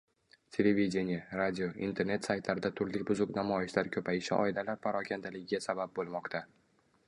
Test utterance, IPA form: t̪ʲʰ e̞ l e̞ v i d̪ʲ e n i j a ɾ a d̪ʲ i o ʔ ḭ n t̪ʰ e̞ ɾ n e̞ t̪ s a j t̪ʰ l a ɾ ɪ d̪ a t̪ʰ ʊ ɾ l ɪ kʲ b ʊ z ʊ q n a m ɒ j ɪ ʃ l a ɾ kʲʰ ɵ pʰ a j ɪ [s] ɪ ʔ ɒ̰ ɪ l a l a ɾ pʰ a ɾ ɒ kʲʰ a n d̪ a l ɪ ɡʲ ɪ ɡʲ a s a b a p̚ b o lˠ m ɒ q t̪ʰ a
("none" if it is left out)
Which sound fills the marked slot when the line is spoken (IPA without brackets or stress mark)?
ʃ